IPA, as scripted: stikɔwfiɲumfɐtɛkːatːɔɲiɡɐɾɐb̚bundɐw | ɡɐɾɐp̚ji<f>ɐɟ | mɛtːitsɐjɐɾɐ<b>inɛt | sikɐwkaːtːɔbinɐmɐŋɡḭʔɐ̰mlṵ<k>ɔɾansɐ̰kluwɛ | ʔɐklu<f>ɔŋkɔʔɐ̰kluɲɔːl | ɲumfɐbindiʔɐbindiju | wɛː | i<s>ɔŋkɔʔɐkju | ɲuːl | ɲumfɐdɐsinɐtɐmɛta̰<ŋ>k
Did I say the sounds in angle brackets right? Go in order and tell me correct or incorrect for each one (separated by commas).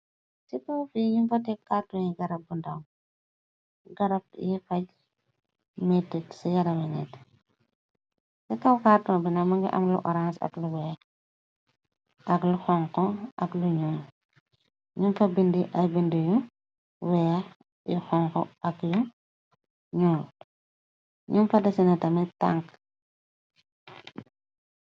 correct, incorrect, incorrect, incorrect, incorrect, correct